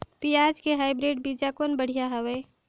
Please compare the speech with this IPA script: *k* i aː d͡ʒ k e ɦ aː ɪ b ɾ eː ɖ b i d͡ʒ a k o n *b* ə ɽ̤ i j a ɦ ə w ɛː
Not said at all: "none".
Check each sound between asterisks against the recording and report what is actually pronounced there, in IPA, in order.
p, b

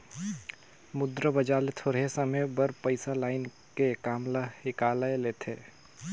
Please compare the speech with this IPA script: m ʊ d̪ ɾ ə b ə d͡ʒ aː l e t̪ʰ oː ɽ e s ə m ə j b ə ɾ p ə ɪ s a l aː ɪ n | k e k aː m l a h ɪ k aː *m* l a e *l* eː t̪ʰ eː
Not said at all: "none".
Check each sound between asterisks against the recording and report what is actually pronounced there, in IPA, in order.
none, l

